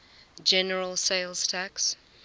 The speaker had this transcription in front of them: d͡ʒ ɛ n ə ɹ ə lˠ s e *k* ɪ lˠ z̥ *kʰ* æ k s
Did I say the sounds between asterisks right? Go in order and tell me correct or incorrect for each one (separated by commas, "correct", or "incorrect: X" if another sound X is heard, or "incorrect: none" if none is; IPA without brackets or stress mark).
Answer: incorrect: none, incorrect: tʰ